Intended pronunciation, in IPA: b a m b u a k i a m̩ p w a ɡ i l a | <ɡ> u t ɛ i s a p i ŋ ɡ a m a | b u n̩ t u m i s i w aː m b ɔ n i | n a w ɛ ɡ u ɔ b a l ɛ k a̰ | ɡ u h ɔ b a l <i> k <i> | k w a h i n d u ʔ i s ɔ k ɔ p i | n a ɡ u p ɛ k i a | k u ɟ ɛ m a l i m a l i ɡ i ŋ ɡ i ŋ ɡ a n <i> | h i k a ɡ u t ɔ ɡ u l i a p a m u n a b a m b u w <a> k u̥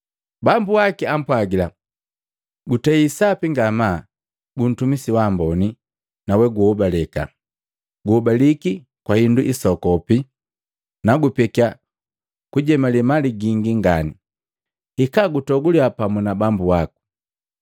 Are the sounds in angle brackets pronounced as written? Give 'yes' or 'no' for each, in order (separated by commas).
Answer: yes, yes, yes, yes, yes